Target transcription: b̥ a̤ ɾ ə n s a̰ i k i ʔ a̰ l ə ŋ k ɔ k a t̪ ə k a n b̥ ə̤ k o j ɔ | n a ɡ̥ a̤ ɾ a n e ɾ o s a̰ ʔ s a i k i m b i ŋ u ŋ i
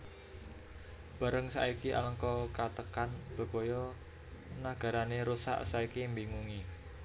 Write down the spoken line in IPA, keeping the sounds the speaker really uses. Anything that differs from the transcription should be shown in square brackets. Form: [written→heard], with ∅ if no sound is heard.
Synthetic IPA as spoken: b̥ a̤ ɾ ə [n→ŋ] s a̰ i k i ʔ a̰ l ə ŋ k ɔ k a t̪ ə k a n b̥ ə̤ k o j ɔ | n a ɡ̥ a̤ ɾ a n e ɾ [o→u] s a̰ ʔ s a i k i m b i ŋ u ŋ i